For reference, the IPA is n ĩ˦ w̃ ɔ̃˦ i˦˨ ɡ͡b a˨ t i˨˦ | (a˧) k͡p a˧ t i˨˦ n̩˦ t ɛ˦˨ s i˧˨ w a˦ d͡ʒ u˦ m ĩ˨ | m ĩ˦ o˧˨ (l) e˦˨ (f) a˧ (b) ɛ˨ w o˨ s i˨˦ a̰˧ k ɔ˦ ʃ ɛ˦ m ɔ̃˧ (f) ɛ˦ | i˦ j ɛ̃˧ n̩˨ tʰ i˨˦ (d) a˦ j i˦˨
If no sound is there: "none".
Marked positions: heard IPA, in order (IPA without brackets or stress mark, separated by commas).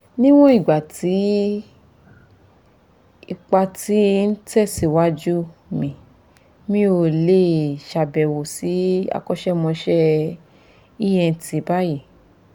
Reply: i˧, l, ʃ, b, ʃ, b